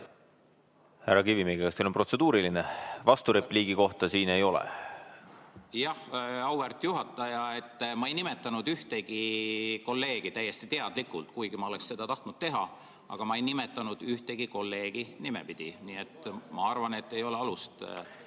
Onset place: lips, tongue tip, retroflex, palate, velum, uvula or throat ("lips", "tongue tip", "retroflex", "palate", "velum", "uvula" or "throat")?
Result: throat